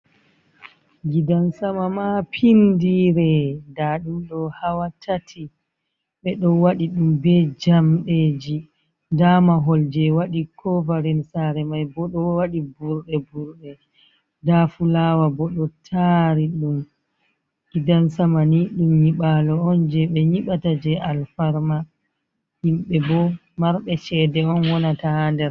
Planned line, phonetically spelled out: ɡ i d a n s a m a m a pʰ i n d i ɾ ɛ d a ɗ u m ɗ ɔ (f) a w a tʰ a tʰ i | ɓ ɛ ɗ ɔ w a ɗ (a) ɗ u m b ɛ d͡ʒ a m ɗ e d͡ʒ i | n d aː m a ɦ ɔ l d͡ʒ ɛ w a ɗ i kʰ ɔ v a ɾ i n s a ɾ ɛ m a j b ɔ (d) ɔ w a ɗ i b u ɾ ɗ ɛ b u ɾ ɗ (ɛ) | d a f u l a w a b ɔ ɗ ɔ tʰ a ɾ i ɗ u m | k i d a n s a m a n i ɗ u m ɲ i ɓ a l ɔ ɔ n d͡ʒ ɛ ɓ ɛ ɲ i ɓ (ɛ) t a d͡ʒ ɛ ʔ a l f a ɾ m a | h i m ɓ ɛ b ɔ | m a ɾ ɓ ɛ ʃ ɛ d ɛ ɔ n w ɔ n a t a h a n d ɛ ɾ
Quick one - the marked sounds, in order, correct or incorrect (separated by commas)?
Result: incorrect, incorrect, incorrect, correct, incorrect